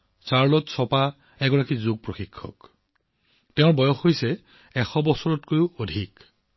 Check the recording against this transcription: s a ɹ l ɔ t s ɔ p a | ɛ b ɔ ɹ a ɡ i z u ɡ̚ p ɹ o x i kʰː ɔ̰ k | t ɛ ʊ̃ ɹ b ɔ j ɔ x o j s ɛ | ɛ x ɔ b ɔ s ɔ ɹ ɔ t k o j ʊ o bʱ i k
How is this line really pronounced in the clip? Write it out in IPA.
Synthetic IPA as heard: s a ɹ l ɔ t s ɔ p a | ɛ ɡ ɔ ɹ a k i z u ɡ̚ p ɹ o x i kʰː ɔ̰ k | t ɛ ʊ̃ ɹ b ɔ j ɔ x o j s ɛ | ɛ x ɔ b ɔ s ɔ ɹ ɔ t k o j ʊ o dʱ i k